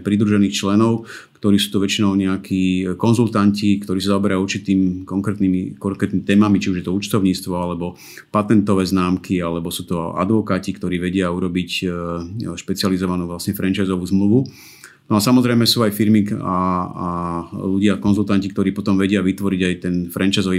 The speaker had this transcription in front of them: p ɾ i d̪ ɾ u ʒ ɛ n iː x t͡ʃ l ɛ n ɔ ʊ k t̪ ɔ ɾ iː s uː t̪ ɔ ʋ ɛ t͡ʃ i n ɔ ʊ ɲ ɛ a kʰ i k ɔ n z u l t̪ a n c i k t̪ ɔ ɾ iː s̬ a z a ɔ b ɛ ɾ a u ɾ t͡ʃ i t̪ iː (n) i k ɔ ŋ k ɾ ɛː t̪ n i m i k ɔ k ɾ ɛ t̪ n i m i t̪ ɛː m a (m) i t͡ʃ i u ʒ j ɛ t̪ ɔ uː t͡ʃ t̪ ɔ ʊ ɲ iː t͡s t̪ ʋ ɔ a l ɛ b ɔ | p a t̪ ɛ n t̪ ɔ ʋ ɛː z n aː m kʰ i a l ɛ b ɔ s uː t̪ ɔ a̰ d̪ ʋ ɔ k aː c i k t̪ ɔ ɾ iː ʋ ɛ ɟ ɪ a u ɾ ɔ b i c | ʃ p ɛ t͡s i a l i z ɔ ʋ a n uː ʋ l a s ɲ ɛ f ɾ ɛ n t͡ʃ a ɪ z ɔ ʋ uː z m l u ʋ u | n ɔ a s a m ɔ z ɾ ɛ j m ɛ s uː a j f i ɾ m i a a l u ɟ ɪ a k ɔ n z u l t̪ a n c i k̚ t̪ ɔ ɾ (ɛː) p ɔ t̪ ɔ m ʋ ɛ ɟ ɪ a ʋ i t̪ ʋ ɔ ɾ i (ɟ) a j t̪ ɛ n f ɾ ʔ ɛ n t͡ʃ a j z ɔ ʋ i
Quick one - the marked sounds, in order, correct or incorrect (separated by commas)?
incorrect, correct, incorrect, correct